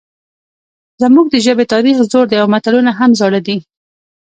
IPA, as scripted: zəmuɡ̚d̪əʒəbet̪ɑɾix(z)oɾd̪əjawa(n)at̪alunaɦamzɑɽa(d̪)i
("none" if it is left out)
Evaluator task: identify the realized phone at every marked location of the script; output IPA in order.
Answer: z, m, d̪

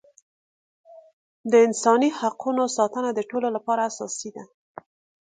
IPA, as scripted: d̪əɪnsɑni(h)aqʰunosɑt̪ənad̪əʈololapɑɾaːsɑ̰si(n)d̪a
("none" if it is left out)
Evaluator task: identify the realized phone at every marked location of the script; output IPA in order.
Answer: h, none

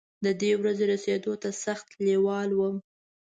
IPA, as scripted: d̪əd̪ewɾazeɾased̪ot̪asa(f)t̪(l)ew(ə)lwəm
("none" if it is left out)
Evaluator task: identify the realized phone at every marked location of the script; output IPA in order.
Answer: x, l, ɑ

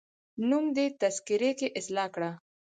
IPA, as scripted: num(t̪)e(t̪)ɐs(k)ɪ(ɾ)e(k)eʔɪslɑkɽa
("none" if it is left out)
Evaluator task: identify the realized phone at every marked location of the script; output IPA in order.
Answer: d̪, t̪, k, ɾ, k

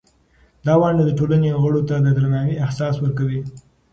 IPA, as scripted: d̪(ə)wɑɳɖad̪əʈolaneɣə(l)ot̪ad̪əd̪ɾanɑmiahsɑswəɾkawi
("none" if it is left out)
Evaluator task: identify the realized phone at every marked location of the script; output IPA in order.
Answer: ɑ, ɽ

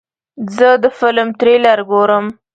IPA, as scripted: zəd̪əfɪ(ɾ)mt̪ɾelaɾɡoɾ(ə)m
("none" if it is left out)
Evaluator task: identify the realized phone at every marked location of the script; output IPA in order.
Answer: l, ə

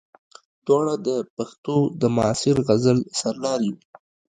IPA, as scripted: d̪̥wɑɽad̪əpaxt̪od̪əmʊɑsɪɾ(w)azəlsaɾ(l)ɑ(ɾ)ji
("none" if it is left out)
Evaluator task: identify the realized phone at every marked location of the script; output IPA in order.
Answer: ɣ, l, ɾ

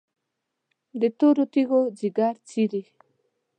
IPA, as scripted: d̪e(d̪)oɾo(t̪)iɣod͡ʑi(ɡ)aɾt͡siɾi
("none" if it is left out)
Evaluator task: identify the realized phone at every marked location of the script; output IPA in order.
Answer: t̪, t̪, ɡ

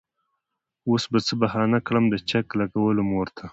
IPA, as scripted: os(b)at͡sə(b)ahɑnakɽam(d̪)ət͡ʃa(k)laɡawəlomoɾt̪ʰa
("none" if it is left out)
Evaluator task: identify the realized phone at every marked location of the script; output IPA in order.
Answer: b, b, d̪, k

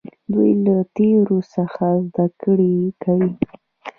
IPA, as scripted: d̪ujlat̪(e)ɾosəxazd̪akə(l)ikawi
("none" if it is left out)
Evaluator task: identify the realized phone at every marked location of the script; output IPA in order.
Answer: e, ɽ

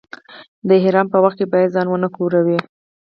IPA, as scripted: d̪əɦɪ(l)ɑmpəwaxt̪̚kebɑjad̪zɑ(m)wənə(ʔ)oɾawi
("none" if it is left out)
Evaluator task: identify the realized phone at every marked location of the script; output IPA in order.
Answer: ɾ, n, k

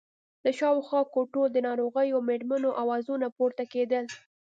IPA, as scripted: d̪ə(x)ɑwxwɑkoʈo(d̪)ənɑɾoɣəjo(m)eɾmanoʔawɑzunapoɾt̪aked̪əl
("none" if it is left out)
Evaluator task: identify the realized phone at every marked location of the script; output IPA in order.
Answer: ʃ, d̪, m

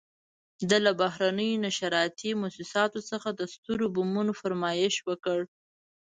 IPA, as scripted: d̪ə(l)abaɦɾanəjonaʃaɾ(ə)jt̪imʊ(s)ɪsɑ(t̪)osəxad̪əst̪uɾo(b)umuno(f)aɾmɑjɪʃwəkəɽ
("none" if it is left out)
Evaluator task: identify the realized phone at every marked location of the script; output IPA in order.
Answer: l, ɑ, s, t̪, b, f

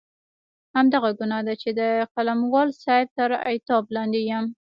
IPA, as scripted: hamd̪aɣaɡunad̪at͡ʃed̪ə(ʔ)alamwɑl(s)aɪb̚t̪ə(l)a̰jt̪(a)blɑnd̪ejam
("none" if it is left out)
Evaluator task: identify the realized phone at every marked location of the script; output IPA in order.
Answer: q, s, ɾ, ɑ

